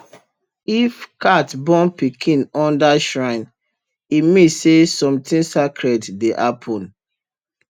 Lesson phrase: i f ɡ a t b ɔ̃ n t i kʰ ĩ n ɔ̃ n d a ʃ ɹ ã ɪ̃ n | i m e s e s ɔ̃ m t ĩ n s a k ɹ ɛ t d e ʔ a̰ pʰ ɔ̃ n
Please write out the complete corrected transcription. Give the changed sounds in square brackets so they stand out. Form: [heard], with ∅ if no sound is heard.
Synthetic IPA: i f [k] a t b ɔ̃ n [p] i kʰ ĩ n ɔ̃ n d a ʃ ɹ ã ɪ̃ n | i m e s e s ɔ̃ m t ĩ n s a k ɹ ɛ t d e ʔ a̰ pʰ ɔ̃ n